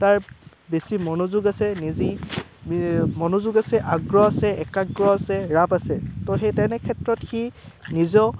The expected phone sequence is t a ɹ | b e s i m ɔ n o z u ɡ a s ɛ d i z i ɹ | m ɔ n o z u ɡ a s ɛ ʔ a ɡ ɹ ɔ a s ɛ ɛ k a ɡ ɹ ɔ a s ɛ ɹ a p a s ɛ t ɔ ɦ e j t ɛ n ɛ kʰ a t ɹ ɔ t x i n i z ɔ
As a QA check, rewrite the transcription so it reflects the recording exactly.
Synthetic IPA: t a ɹ | b e s i m ɔ n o z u ɡ a s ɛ n i z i | m ɔ n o z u ɡ a s ɛ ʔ a ɡ ɹ ɔ a s ɛ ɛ k a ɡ ɹ ɔ a s ɛ ɹ a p a s ɛ t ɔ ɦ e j t ɛ n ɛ kʰ ɛ t ɹ ɔ t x i n i z ɔ

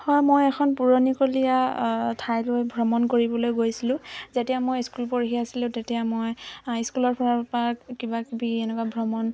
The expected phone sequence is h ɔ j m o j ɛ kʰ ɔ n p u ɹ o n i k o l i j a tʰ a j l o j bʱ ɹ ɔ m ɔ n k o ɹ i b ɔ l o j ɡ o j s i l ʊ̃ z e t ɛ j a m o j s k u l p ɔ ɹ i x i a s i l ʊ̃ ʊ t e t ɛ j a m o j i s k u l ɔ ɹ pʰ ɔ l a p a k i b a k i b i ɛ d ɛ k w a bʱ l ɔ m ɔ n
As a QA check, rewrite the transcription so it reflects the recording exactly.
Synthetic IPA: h ɔ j m o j ɛ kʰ ɔ n p u ɹ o n i k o l i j a tʰ a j l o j bʱ ɹ ɔ m ɔ n k o ɹ i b ɔ l o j ɡ o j s i l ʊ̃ z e t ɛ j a m o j s k u l p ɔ ɹ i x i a s i l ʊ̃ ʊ t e t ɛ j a m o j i s k u l ɔ ɹ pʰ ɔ ɹ a p a k i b a k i b i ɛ n ɛ k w a bʱ ɹ ɔ m ɔ n

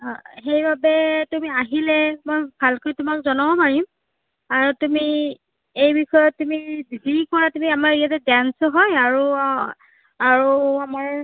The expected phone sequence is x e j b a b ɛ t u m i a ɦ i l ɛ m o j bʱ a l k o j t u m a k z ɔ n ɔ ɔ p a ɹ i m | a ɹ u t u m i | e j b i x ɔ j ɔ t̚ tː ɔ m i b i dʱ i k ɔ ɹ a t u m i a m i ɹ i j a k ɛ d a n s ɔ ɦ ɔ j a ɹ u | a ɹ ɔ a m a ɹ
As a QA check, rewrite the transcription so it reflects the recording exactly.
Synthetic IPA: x e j b a b ɛ t u m i a ɦ i l ɛ m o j bʱ a l k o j t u m a k z ɔ n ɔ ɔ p a ɹ i m | a ɹ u t u m i | e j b i x ɔ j ɔ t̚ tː u m i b i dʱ i k ɔ ɹ a t u m i a m a ɹ i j a t ɛ d a n s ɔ ɦ ɔ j a ɹ u | a ɹ u a m a ɹ

